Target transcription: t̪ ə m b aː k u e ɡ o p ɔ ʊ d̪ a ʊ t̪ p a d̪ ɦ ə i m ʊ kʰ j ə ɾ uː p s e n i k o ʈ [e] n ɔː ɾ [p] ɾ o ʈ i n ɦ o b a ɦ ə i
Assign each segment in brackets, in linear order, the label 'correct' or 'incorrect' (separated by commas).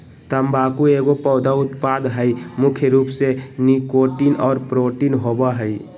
incorrect, correct